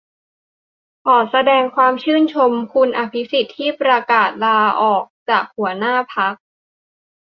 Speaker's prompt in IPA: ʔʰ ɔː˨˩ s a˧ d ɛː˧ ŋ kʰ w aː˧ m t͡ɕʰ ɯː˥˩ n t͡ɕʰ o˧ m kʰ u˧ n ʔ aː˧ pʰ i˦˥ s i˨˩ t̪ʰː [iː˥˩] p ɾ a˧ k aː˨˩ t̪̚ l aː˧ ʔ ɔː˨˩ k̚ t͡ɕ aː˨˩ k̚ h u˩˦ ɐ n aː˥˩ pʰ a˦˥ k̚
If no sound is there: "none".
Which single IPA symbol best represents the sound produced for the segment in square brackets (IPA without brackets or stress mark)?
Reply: iː˥˩